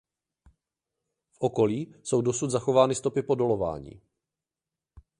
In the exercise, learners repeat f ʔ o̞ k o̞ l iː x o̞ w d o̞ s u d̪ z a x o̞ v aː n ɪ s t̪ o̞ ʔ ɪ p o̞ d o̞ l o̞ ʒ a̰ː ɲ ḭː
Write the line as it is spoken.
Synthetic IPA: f ʔ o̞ k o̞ l iː s o̞ w d o̞ s u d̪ z a x o̞ v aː n ɪ s t̪ o̞ p ɪ p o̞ d o̞ l o̞ v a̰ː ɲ ḭː